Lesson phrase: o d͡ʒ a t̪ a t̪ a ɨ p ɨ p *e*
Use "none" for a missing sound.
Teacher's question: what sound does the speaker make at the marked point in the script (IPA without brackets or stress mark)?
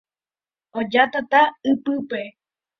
e